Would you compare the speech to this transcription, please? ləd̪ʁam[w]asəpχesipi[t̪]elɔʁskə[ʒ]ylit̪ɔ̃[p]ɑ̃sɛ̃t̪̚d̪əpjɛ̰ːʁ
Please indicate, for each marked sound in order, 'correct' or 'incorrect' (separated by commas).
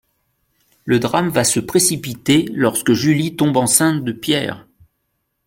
incorrect, correct, correct, incorrect